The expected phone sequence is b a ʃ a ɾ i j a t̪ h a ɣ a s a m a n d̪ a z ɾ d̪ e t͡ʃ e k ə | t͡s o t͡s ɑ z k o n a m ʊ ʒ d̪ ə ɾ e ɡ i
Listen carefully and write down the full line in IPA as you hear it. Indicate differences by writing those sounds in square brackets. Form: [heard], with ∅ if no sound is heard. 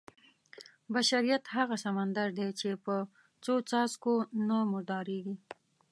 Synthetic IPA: b a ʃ a ɾ i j a t̪ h a ɣ a s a m a n d̪ a [∅] ɾ d̪ e t͡ʃ e [p] ə | t͡s o t͡s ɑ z k o n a m ʊ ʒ d̪ [ɑ] ɾ e ɡ i